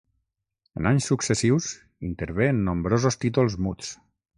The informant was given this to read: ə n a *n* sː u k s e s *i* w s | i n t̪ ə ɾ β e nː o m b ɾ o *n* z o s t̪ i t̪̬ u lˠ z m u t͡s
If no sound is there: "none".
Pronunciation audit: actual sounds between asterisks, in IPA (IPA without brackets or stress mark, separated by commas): ɲ, i, none